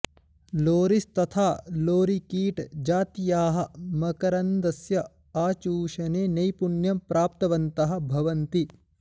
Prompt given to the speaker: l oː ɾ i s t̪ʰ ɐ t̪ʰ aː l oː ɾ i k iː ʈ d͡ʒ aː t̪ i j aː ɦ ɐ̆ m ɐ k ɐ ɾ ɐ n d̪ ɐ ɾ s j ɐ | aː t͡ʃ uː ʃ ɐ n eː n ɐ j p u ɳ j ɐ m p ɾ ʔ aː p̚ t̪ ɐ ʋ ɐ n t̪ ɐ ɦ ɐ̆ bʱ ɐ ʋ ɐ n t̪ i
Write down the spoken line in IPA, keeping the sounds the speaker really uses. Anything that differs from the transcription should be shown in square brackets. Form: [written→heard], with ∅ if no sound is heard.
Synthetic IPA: l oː ɾ i s [t̪ʰ→t̪] ɐ t̪ʰ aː l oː ɾ i k iː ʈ d͡ʒ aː t̪ i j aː ɦ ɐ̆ m ɐ k ɐ ɾ ɐ n d̪ ɐ [ɾ→∅] s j ɐ | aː t͡ʃ uː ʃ ɐ n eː n ɐ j p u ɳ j ɐ m p ɾ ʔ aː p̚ t̪ ɐ ʋ ɐ n t̪ ɐ ɦ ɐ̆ bʱ ɐ ʋ ɐ n t̪ i